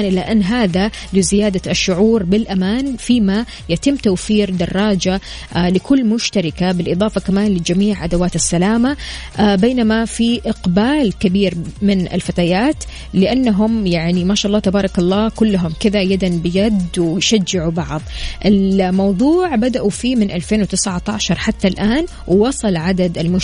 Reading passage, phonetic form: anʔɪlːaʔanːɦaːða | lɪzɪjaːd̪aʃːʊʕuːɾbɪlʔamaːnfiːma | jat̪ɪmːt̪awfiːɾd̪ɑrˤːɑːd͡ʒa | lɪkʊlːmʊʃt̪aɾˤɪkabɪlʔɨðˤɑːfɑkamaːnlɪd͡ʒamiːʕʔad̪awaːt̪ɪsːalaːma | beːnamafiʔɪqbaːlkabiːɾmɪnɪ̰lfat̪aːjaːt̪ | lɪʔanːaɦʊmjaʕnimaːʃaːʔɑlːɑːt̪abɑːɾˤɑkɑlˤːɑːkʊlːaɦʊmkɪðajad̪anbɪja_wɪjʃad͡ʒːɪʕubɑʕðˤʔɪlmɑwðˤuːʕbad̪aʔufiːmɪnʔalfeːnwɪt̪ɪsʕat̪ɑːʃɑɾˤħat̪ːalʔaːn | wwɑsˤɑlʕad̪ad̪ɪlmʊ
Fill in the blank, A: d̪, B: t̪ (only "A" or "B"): A